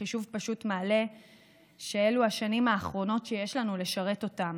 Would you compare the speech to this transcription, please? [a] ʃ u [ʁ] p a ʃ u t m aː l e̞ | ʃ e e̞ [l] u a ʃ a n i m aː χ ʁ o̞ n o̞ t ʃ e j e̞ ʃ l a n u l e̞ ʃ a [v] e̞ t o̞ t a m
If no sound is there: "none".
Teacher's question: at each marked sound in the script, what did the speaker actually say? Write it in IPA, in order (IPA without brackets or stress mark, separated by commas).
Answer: i, v, l, ʁ